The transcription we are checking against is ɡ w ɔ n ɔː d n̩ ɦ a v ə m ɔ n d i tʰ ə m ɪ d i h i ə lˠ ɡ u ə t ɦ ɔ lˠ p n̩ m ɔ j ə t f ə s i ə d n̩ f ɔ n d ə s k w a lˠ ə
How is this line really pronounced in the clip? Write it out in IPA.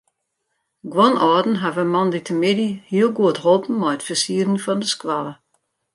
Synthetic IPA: ɡ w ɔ n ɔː d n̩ ɦ a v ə m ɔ n d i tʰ ə m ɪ d i h i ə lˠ ɡ u ə t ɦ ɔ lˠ p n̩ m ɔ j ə t f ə s i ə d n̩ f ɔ n d ə s k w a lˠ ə